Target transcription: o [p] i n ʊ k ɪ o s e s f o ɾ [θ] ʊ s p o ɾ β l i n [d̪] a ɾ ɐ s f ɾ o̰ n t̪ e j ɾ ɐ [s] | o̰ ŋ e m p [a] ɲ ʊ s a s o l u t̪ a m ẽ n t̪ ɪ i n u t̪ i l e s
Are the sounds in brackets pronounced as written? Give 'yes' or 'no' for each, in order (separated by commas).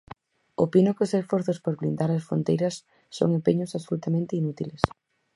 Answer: yes, yes, yes, no, no